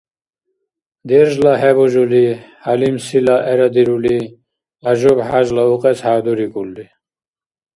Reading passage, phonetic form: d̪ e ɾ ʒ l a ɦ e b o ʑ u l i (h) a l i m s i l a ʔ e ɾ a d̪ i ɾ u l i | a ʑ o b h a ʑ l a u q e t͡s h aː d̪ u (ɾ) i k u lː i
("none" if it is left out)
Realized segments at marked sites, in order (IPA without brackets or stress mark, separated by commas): h, ɾ